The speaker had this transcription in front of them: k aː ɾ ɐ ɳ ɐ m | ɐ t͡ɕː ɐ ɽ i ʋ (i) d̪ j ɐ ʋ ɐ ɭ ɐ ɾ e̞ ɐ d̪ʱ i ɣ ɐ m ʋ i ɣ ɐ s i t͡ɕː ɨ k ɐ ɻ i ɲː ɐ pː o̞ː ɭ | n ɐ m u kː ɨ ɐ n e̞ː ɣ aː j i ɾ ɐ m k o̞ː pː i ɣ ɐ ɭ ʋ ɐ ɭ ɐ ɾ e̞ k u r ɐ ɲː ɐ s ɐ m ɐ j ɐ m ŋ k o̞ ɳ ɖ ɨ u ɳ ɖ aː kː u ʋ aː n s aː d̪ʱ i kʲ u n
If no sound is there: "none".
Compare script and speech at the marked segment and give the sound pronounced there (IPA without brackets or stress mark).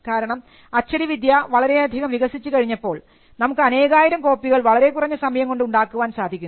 i